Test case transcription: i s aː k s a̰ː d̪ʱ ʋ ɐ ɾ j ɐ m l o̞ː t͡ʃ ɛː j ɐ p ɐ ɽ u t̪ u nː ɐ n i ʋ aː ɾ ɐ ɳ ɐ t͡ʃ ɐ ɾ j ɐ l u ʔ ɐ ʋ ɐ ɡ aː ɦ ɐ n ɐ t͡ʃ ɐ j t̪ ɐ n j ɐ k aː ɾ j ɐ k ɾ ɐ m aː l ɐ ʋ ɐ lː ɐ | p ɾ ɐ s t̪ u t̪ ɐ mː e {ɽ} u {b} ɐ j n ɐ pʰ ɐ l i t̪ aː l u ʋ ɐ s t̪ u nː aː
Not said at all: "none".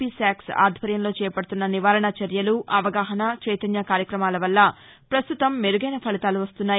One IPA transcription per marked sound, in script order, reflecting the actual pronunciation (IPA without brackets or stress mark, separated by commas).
ɾ, ɡ